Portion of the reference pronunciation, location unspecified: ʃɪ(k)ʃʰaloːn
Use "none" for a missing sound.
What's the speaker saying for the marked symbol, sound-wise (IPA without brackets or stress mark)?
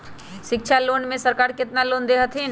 k